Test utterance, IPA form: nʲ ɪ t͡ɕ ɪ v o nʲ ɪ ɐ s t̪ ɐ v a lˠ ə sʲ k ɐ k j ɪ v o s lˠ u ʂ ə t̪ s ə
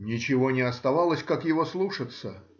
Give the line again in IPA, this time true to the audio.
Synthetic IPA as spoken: nʲ ɪ t͡ɕ ɪ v o nʲ ɪ ɐ s t̪ ɐ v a lˠ ə sʲ k a k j ɪ v o s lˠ u ʂ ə t̪ s ə